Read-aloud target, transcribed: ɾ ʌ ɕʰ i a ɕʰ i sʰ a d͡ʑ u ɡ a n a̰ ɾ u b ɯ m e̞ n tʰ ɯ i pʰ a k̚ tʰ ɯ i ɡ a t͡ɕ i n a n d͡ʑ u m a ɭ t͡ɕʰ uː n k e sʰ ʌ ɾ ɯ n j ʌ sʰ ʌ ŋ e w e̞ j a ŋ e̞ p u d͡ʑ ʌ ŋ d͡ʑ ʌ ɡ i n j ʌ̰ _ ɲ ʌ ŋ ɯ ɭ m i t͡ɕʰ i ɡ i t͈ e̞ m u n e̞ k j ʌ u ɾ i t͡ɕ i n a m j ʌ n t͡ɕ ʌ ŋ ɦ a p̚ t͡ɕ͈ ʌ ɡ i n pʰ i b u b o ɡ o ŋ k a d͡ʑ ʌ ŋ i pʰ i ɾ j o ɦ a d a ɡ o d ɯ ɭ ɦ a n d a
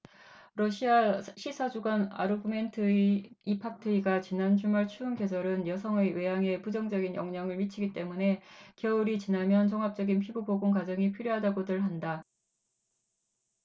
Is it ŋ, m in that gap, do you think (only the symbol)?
ŋ